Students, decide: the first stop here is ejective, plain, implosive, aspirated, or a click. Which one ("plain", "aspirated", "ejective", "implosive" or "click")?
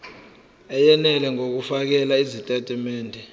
plain